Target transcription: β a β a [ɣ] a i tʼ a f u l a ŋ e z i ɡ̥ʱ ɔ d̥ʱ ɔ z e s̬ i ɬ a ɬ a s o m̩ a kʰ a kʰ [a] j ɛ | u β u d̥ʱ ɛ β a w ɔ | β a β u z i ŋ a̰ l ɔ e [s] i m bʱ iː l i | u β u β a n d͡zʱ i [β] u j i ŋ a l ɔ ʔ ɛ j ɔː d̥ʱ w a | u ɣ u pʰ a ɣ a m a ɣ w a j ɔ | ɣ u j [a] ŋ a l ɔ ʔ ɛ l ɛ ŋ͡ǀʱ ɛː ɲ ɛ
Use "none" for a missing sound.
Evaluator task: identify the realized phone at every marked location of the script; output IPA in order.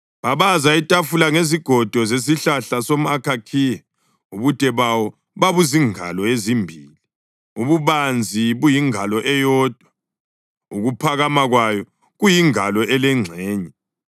z, i, z, β, i

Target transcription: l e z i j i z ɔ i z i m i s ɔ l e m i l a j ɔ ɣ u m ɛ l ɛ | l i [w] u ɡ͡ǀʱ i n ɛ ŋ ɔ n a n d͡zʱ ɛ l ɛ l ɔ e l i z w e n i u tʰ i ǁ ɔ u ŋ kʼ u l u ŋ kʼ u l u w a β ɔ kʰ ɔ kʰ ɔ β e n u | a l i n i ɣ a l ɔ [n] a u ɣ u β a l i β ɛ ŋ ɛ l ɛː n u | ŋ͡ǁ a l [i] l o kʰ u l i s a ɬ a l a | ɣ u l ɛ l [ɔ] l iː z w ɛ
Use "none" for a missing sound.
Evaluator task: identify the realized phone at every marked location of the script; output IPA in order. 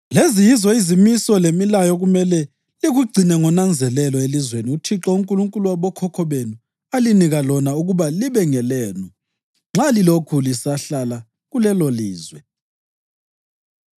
ɣ, n, i, o

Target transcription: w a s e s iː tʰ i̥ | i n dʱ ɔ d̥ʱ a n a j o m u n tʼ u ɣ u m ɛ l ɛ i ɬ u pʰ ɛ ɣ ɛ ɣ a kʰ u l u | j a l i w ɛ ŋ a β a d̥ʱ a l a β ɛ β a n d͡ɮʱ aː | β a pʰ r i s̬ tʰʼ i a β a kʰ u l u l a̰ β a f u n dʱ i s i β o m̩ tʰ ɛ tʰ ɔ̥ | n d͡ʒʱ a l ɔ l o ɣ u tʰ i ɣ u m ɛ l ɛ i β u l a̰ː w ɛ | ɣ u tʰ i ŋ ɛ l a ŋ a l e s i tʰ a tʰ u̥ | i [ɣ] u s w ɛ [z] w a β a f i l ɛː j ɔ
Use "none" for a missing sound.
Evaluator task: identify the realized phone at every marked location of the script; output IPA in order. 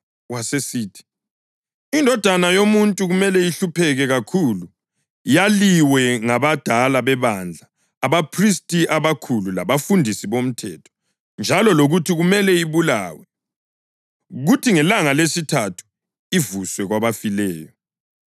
v, ɣ

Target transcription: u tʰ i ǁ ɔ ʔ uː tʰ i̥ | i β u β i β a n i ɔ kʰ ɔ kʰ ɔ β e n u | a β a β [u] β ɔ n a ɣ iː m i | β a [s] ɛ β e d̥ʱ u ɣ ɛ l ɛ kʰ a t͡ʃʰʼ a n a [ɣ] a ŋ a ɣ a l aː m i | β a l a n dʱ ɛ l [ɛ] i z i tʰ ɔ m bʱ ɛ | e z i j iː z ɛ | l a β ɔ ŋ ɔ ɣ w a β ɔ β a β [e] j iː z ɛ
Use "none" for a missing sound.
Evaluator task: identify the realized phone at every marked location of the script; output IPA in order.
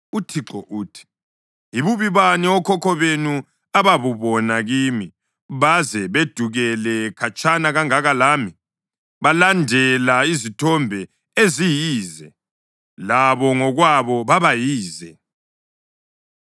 u, z, ɣ, a, a

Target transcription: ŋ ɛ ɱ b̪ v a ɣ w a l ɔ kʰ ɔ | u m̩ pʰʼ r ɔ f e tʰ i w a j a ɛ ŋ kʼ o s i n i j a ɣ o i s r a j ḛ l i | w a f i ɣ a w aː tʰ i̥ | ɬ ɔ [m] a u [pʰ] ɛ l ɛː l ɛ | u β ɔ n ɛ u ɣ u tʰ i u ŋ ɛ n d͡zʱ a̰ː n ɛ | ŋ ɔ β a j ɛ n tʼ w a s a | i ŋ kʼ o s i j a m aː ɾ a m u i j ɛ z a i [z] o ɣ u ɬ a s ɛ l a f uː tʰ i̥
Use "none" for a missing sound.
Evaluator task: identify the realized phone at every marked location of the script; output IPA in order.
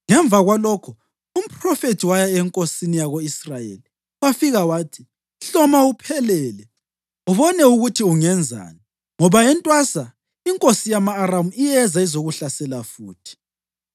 m, pʰ, z

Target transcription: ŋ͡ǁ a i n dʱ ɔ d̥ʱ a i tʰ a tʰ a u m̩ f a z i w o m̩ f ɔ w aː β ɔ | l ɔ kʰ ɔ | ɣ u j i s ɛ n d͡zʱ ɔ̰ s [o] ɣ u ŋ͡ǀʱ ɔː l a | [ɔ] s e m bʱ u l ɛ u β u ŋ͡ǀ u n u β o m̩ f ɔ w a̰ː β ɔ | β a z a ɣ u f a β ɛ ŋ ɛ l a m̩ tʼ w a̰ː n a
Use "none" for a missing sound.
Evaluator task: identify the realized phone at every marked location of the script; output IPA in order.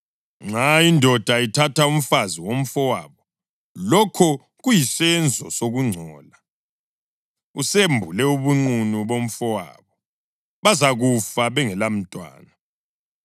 o, u

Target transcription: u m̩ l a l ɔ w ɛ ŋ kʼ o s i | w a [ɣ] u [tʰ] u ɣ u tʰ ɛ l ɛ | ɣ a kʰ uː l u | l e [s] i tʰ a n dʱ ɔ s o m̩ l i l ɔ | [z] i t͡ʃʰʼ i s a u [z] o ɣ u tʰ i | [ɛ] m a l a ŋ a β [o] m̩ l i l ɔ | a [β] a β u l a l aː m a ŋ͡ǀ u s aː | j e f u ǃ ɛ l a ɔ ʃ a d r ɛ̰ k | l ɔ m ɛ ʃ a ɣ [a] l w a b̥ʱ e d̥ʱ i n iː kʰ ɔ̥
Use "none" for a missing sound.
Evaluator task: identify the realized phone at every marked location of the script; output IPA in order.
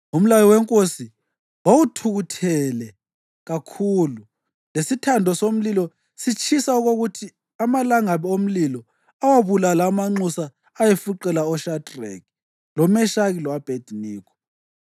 w, tʰ, s, s, ɣ, a, o, w, i

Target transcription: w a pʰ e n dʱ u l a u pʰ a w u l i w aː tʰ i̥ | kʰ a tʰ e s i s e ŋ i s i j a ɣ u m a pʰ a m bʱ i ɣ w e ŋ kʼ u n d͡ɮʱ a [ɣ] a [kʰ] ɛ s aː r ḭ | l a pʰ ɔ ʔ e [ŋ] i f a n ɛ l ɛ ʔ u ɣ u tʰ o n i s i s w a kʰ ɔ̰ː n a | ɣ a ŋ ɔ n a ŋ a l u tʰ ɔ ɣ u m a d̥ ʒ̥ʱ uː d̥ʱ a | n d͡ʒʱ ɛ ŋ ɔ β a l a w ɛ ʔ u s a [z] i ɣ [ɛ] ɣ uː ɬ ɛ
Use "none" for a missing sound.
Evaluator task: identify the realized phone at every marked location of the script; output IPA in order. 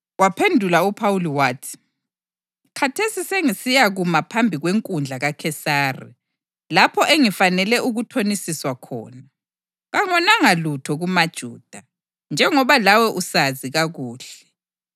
ɣ, kʰ, ŋ, z, a

